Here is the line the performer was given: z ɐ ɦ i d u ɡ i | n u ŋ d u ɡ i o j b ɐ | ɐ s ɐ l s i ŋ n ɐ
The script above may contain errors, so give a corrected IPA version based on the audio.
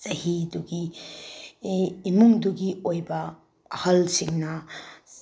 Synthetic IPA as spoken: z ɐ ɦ i d u ɡ i | m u ŋ d u ɡ i o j b ɐ | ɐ h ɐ l s i ŋ n ɐ